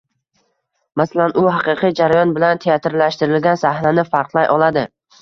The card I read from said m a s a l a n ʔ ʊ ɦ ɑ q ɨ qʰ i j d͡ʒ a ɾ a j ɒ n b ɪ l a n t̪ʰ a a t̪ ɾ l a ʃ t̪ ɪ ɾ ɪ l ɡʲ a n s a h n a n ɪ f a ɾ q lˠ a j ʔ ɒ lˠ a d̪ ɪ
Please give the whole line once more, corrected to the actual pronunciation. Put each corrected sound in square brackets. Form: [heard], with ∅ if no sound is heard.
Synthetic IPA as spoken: m a s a l a n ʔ ʊ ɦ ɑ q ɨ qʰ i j d͡ʒ a ɾ a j ɒ n b ɪ l a n t̪ʰ [e] a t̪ ɾ l a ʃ t̪ ɪ ɾ ɪ l ɡʲ a n s a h n a n ɪ f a ɾ q lˠ a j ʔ ɒ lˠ a d̪ ɪ